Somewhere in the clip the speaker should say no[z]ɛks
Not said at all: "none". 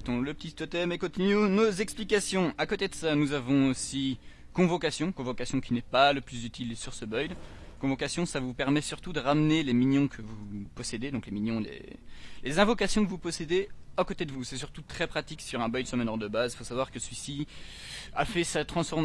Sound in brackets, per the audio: z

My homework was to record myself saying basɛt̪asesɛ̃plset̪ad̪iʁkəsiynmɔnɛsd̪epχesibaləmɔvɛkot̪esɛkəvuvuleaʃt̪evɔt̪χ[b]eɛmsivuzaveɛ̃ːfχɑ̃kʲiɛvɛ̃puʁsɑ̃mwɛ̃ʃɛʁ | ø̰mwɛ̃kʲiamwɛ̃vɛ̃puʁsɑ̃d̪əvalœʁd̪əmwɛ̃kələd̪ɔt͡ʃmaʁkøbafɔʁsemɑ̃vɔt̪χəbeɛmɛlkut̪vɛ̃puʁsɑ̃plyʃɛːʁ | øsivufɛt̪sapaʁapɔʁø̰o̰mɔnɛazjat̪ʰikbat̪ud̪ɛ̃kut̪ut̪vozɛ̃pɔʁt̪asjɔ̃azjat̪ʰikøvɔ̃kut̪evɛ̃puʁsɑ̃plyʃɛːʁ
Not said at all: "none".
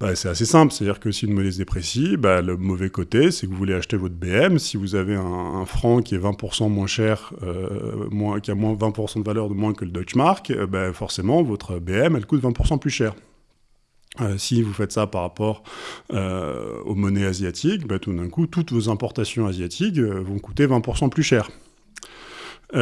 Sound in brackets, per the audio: b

